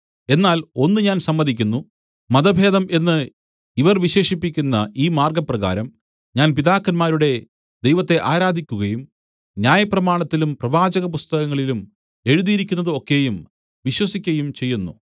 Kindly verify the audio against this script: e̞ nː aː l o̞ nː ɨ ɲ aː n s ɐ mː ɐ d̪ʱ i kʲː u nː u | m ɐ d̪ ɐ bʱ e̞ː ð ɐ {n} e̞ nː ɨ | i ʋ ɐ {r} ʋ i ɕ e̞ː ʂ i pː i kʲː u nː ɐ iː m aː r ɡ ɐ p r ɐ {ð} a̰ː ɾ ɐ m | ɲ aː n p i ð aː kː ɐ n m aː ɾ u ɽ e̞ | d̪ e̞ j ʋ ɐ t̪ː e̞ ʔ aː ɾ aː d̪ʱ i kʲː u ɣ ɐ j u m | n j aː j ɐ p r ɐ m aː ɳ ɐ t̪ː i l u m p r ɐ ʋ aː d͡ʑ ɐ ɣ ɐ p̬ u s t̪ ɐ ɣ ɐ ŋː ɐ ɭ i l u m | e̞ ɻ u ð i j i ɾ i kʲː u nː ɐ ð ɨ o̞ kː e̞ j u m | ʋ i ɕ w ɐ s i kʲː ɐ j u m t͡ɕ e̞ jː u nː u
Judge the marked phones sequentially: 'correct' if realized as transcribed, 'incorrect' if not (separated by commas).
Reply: incorrect, correct, incorrect